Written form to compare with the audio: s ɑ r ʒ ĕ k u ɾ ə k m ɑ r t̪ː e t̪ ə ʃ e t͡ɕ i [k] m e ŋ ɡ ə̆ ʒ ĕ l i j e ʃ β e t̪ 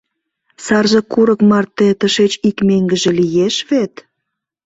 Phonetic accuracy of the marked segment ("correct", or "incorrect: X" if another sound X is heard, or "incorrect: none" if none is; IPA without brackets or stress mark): correct